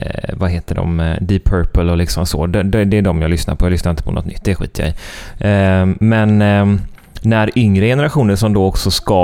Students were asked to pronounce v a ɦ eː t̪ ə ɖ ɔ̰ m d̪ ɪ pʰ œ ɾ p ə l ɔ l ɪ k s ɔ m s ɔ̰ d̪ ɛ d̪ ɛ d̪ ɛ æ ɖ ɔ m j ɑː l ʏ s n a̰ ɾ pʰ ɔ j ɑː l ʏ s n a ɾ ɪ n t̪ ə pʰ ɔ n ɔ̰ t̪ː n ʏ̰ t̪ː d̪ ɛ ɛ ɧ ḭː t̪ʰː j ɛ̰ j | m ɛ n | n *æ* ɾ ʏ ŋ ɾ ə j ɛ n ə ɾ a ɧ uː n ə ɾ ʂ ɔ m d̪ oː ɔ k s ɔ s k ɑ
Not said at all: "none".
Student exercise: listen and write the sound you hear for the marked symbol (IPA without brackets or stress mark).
æ